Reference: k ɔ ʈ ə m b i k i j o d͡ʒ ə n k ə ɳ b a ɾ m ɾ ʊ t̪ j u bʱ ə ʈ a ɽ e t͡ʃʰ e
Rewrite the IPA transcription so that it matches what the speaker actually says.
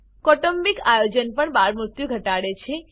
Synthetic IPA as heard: k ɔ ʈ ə m b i k a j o d͡ʒ ə n p ə ɳ b a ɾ m ɾ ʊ t̪ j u ɡʱ ə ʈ a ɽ e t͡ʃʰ e